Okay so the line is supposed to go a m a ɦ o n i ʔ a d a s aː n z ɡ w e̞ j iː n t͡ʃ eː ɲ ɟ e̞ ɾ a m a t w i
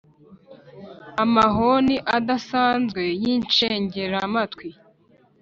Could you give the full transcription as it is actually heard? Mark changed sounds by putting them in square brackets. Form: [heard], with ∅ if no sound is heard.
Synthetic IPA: a m a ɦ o n i ʔ a d a s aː n z ɡ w e̞ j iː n t͡ʃ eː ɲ ɟ e̞ ɾ a m a t w i

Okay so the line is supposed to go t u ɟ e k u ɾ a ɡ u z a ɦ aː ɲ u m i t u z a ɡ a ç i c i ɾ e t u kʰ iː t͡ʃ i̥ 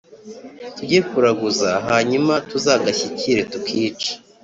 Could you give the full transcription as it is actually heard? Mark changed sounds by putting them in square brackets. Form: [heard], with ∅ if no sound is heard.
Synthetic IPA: t u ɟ e k u ɾ a ɡ u z a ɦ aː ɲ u m [a] t u z a ɡ a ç i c i ɾ e t u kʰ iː t͡ʃ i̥

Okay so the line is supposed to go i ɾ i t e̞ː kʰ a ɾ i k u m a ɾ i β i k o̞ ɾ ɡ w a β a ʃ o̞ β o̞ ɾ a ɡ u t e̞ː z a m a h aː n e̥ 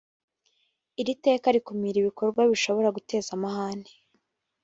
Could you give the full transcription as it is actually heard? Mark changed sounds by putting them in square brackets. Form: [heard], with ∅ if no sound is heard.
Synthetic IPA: i ɾ i t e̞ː [k] a ɾ i k u m [i] ɾ i β i k o̞ ɾ ɡ w a β [i] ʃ o̞ β o̞ ɾ a ɡ u t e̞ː z a m a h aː n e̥

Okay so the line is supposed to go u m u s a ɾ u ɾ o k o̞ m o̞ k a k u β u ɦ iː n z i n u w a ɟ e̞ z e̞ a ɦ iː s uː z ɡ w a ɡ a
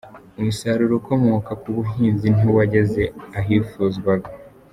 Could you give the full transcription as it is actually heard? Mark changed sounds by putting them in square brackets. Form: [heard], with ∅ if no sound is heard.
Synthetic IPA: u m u s a ɾ u ɾ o k o̞ m o̞ k a k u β u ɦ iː n z i n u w a ɟ e̞ z e̞ a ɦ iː [f] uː z ɡ w a ɡ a

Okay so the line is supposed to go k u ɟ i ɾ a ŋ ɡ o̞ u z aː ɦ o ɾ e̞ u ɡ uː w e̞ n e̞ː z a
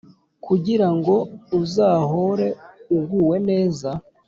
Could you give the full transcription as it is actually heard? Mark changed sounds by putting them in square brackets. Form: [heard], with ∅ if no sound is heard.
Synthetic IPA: k u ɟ i ɾ a ŋ ɡ o̞ u z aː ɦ o ɾ e̞ u ɡ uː w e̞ n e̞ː z a

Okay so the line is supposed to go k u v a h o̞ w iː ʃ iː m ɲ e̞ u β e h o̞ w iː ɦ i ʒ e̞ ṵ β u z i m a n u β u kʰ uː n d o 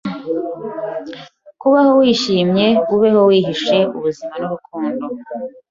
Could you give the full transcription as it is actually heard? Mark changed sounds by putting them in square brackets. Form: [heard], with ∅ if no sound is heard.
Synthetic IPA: k u [β] a h o̞ w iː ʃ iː m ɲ e̞ u β e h o̞ w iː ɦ i [ʃ] e̞ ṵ β u z i m a n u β u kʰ uː n d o

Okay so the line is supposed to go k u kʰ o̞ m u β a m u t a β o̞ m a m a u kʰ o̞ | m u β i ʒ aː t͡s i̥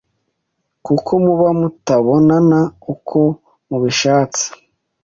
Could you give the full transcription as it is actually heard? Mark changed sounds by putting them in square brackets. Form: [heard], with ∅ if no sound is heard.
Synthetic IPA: k u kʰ o̞ m u β a m u t a β o̞ [n] a [n] a u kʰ o̞ | m u β i [ʃ] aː t͡s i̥

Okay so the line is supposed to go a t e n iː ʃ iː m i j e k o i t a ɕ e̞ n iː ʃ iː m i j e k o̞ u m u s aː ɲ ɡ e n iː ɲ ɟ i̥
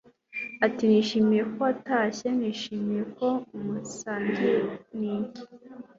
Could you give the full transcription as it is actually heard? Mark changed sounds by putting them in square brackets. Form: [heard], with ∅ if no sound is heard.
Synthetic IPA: a t [i] n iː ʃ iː m i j e k o [a] t a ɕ e̞ n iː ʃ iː m i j e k o̞ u m u s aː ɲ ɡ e n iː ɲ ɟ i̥

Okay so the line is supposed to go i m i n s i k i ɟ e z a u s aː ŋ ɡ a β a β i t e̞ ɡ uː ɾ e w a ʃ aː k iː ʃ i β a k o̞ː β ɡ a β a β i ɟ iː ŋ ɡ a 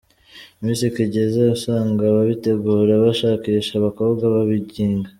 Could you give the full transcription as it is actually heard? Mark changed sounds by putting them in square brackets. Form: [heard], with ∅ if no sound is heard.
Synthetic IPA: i m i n s i k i ɟ e z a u s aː ŋ ɡ a β a β i t e̞ ɡ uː ɾ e [β] a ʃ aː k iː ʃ [a] β a k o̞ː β ɡ a β a β i ɟ iː ŋ ɡ a

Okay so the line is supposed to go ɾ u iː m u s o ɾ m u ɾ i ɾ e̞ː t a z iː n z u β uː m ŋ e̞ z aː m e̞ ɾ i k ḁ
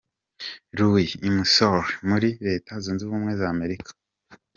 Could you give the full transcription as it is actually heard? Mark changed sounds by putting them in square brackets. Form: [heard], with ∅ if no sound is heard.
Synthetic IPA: ɾ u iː m u s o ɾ m u ɾ i ɾ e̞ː t a z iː n z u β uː m ŋ e̞ z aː m e̞ ɾ i k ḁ

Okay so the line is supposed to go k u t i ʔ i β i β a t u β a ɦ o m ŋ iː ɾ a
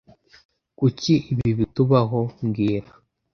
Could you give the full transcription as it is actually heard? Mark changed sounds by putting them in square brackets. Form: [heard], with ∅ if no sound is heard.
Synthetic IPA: k u [c] i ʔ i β i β [i] t u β a ɦ o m [ɡ] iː ɾ a

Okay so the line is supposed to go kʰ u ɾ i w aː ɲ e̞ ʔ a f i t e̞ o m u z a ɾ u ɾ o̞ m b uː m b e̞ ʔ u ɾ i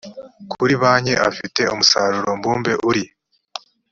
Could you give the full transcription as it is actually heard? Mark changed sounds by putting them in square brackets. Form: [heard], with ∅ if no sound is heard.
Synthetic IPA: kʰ u ɾ i [β] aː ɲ e̞ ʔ a f i t e̞ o m u [s] a ɾ u ɾ o̞ m b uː m b e̞ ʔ u ɾ i

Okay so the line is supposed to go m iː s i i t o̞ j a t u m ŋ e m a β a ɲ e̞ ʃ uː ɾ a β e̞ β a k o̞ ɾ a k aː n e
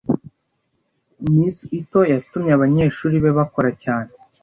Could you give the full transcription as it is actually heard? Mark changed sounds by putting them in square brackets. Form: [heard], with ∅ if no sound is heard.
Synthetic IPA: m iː s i i t o̞ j a t u m [ɲ] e [∅] a β a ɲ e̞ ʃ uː ɾ [i] β e̞ β a k o̞ ɾ a [c] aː n e

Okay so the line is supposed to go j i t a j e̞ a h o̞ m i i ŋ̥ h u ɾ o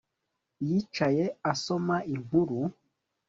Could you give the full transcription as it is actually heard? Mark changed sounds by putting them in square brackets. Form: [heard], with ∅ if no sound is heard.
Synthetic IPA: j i [t͡ʃ] a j e̞ a [s] o̞ m [a] i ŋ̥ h u ɾ [u]

